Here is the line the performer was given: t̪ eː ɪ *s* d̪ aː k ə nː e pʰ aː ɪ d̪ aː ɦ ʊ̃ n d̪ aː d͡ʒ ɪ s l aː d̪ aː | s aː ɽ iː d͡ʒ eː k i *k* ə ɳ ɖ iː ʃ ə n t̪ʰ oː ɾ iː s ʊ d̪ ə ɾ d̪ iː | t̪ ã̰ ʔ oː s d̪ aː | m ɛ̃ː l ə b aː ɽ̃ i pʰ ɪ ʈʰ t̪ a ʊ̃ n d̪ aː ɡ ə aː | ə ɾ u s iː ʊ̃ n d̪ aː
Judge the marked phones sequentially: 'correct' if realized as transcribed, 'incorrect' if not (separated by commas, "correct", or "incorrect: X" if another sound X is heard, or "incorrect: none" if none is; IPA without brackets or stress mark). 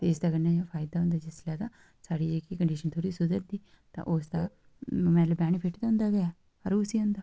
correct, correct